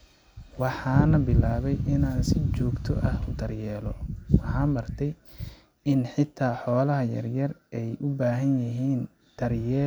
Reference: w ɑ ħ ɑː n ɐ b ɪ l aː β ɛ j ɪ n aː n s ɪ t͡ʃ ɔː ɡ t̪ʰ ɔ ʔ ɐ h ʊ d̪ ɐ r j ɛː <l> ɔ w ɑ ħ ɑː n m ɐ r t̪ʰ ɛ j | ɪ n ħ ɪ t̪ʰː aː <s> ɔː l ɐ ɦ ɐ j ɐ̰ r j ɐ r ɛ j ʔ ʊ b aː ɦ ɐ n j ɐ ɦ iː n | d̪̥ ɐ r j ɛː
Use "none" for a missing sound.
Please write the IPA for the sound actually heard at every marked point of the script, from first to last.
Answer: l, ħ

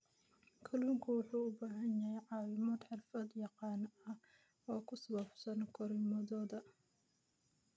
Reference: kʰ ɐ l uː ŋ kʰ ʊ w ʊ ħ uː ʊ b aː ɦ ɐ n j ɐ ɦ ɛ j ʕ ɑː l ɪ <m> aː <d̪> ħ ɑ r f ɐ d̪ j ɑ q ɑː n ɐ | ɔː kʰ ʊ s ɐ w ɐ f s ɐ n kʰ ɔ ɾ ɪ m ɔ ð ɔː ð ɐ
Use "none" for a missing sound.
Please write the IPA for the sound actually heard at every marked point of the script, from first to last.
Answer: m, d̪

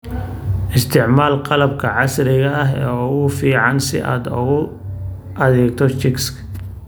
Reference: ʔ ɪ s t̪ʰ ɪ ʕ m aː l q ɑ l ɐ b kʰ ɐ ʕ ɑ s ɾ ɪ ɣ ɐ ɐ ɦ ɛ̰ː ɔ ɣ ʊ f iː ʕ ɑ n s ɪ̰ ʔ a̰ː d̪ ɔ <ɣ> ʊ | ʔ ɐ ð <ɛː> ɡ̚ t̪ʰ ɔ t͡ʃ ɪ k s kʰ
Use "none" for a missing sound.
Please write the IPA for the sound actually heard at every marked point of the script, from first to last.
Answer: ɣ, ɛː

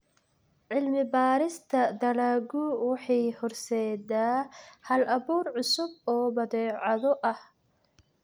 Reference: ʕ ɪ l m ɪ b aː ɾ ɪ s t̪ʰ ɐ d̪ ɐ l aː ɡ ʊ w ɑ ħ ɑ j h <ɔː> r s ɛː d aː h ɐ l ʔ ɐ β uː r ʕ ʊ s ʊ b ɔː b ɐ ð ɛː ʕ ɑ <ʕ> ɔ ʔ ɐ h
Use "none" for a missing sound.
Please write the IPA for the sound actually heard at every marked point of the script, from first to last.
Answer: ɔ, ð

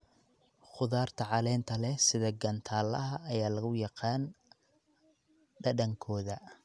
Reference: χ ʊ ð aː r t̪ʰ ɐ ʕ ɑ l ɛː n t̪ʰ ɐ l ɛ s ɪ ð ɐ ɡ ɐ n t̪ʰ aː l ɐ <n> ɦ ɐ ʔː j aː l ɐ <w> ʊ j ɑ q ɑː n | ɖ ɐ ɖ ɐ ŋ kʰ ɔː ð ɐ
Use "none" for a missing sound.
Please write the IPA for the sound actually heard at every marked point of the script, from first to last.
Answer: none, ɣ

